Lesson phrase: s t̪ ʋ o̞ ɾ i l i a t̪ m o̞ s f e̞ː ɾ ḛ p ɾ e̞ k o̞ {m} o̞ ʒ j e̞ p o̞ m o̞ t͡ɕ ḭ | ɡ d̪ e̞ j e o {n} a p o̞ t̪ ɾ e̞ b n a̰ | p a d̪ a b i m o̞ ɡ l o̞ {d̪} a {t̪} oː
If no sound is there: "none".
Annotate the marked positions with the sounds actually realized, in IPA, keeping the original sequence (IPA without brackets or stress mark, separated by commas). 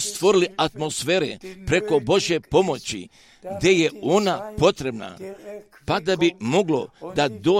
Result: b, n, d̪, d̪